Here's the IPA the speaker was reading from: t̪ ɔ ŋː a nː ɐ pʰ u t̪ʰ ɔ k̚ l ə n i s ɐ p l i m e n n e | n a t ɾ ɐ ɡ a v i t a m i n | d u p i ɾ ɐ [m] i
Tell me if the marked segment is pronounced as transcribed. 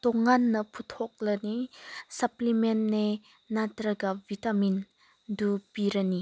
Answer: no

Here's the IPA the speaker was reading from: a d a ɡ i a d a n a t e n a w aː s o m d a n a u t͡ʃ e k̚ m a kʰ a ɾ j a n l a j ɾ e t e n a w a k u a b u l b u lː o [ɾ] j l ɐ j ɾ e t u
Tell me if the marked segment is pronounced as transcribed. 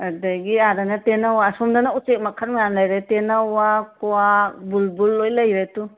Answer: no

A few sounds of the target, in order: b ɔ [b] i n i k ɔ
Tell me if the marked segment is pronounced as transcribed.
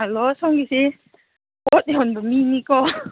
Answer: no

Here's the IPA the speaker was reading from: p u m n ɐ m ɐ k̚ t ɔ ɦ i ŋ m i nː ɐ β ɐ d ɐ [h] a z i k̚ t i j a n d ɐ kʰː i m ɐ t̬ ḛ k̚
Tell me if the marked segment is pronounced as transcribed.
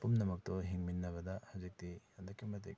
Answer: yes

